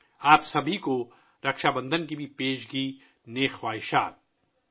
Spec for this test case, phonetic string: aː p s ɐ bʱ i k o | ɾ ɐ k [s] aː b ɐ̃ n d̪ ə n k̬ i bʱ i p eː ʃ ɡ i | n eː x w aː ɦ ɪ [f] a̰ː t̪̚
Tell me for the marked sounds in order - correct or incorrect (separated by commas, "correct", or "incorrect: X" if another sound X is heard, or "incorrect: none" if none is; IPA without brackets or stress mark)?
incorrect: ʃ, incorrect: ʃ